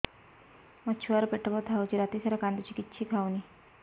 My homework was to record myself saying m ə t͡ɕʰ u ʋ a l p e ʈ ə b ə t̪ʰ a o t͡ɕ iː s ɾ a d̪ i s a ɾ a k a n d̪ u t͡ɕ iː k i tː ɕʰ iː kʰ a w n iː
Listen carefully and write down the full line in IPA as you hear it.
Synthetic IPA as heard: m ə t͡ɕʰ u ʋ a ɾ p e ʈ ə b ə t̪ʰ a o t͡ɕ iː ɾ a t̪ i s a ɾ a k a n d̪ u t͡ɕ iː k i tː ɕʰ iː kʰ a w n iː